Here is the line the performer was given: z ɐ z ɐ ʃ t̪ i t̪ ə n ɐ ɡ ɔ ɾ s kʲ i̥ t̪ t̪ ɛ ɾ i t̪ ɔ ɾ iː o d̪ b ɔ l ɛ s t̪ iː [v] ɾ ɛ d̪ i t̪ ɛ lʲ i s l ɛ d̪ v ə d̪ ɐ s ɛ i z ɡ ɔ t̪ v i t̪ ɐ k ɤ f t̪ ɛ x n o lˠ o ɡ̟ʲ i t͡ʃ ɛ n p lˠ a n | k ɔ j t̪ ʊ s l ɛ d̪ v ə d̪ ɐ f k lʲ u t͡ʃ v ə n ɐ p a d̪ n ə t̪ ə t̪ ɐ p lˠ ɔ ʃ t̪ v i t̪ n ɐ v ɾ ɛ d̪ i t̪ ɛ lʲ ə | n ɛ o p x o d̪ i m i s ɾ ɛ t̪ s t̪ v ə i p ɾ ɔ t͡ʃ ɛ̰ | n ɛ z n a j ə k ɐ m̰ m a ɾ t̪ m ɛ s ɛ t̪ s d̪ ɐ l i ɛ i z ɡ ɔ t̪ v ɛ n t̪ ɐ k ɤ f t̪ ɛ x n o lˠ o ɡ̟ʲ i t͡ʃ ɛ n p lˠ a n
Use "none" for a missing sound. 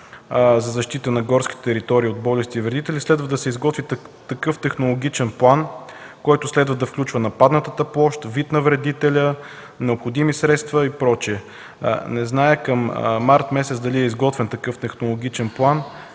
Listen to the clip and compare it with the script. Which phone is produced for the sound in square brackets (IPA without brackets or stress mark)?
v